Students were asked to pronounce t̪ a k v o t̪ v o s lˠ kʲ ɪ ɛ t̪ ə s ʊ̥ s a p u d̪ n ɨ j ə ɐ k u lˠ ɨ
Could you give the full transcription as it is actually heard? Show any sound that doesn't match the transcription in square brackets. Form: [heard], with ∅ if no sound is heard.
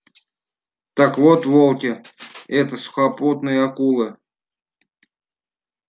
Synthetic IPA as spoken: t̪ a k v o t̪ v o [∅] lˠ kʲ ɪ ɛ t̪ ə s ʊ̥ [x] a p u [t̪] n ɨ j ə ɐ k u lˠ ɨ